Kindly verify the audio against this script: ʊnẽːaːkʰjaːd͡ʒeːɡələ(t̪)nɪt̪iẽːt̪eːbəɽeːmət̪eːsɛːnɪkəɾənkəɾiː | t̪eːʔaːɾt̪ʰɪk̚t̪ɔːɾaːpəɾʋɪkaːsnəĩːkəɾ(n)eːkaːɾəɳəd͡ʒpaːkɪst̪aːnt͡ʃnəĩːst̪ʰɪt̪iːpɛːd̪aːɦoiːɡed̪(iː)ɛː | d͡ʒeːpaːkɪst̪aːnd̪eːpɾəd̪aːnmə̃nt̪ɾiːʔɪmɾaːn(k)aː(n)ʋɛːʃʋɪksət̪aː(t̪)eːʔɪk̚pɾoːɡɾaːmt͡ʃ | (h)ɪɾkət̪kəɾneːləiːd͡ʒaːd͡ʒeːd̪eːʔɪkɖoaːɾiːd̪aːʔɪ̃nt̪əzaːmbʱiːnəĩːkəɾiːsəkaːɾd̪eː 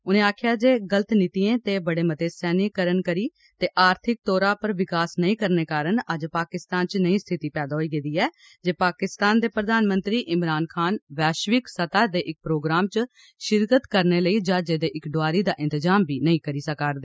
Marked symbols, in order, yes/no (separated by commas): yes, yes, yes, no, yes, no, no